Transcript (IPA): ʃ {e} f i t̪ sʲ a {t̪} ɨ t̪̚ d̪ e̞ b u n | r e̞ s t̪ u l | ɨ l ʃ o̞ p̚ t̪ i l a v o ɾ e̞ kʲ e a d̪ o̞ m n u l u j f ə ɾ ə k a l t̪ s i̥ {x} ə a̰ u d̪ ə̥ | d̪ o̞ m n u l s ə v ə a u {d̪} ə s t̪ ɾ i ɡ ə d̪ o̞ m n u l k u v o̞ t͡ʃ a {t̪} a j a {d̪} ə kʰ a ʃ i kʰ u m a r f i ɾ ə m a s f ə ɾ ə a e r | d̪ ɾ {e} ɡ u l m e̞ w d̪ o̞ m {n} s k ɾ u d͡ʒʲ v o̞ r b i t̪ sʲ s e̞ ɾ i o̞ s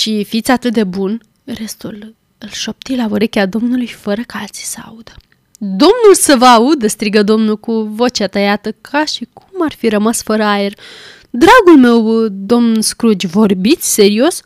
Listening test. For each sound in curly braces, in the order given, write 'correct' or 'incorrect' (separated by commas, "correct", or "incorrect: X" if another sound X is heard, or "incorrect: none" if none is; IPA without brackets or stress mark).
incorrect: i, correct, incorrect: s, correct, correct, incorrect: t̪, incorrect: a, correct